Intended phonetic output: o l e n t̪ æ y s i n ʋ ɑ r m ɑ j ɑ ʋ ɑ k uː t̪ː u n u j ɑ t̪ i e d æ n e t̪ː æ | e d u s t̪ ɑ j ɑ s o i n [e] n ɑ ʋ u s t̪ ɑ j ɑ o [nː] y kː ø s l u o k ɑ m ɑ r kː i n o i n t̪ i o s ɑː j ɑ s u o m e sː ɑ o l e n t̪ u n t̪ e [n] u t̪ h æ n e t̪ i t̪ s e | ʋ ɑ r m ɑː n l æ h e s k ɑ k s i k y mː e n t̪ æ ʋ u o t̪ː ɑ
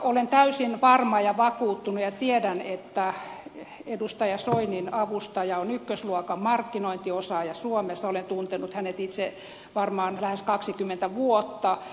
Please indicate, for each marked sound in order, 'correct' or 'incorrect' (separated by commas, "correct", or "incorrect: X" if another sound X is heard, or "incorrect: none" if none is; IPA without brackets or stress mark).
incorrect: i, incorrect: n, correct